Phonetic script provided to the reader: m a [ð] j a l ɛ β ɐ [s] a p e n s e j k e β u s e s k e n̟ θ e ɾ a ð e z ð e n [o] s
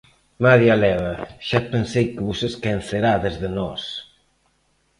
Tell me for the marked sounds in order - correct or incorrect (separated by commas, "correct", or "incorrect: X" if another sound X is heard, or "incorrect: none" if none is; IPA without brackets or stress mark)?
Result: correct, incorrect: ʃ, incorrect: ɔ